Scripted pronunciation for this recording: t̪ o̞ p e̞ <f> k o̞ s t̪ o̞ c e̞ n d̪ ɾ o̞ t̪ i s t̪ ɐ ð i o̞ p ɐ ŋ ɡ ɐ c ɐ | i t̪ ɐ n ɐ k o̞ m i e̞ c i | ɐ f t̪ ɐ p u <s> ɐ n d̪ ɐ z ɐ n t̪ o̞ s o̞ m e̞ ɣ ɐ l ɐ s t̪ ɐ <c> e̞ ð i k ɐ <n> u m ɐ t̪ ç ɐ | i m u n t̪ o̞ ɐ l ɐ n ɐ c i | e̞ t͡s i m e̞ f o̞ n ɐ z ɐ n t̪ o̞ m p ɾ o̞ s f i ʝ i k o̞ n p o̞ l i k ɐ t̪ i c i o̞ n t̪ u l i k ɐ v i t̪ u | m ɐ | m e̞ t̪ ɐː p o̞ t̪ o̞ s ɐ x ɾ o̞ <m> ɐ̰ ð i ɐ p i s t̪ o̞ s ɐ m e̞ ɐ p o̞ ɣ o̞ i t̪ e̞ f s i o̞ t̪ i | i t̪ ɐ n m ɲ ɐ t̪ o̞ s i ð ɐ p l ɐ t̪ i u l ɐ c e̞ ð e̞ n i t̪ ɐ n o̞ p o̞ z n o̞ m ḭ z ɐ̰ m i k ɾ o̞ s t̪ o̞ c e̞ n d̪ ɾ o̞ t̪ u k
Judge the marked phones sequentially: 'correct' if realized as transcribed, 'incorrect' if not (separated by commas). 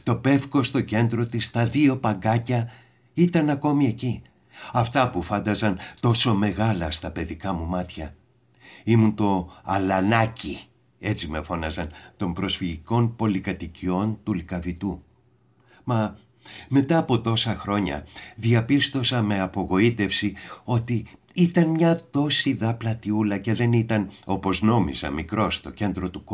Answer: correct, incorrect, incorrect, incorrect, incorrect